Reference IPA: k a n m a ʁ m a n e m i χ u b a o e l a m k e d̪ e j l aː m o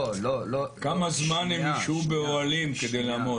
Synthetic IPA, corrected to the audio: k a m a z m a n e m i ʃ u b e o a l i m k e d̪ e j l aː m o